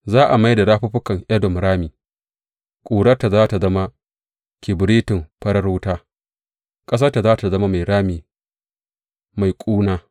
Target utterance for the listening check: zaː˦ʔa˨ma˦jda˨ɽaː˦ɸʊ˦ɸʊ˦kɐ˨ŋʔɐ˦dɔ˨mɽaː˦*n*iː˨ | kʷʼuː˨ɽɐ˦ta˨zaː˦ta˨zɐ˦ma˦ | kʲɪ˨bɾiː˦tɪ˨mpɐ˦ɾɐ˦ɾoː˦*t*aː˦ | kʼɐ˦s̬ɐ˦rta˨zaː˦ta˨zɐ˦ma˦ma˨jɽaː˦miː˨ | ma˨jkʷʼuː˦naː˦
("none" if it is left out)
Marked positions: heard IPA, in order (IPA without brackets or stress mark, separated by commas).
m, t